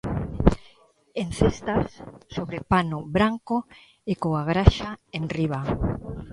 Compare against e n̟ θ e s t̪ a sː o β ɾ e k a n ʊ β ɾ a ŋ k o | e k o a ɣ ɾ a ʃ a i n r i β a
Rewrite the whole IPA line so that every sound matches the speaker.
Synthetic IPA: e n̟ θ e s t̪ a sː o β ɾ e p a n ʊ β ɾ a ŋ k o | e k o a ɣ ɾ a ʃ a e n r i β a